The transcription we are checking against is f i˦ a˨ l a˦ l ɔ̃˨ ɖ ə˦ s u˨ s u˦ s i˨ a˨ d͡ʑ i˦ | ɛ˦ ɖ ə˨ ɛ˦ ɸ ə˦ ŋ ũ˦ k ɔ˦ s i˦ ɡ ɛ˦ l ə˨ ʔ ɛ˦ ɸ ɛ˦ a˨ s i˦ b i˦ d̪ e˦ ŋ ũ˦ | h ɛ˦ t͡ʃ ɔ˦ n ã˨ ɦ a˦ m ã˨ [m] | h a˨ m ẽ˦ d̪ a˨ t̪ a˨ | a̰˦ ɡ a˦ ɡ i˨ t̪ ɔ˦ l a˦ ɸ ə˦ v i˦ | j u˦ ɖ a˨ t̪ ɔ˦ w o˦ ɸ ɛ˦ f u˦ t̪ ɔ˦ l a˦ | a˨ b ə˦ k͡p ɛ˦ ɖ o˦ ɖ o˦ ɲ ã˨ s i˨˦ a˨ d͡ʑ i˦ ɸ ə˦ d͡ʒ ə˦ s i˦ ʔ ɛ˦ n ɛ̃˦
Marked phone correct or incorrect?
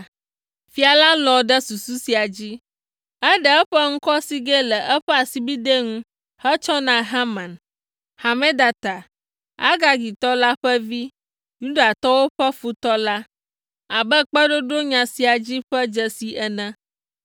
incorrect